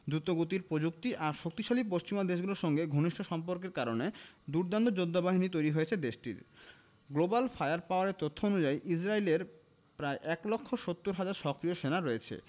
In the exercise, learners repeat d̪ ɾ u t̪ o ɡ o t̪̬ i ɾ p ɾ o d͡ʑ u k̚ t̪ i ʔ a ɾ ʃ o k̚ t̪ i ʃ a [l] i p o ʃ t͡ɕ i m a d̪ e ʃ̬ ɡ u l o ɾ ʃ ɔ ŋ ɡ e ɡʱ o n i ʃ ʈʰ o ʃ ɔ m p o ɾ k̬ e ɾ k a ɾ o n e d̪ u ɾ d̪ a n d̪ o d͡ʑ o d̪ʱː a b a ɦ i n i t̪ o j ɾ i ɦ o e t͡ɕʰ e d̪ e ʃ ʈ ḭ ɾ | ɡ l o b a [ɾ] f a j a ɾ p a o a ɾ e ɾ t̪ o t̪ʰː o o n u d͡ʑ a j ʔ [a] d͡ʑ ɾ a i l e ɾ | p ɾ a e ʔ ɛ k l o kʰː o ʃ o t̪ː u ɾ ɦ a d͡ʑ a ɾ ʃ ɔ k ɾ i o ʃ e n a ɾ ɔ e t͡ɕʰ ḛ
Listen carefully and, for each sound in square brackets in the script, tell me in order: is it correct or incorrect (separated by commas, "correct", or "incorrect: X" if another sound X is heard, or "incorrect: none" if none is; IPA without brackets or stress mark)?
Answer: correct, incorrect: l, incorrect: i